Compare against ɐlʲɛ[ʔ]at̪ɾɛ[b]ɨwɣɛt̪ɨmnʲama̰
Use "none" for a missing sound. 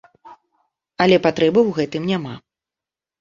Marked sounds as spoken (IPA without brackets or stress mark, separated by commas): p, b